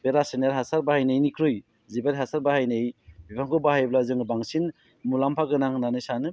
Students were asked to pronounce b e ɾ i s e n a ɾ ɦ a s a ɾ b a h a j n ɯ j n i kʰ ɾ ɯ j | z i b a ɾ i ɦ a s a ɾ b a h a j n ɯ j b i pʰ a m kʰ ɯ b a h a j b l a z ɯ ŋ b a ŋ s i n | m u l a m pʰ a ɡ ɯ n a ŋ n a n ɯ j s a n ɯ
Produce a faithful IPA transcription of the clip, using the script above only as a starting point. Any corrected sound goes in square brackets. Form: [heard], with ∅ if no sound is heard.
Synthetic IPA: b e ɾ [a] s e n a ɾ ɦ a s a ɾ b a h a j n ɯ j n i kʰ ɾ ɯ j | z i b a ɾ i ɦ a s a ɾ b a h a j n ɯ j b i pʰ a [ŋ] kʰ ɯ b a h a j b l a z ɯ ŋ b a ŋ s i n | m u l a m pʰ a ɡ ɯ n a ŋ n a n ɯ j s a n ɯ